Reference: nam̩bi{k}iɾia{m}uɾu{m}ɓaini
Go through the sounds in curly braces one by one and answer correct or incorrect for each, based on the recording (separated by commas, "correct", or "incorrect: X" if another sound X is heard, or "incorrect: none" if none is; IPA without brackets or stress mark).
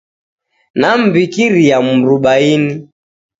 correct, correct, incorrect: none